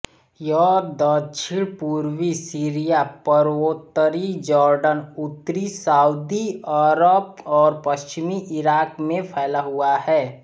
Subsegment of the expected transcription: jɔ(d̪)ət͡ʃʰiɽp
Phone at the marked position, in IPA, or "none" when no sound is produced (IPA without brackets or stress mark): d̪